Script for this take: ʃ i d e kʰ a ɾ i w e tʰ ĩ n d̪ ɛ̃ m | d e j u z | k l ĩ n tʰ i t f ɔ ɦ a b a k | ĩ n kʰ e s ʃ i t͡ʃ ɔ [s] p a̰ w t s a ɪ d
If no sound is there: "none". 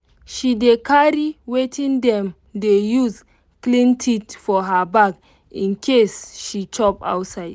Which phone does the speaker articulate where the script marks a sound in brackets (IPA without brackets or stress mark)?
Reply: none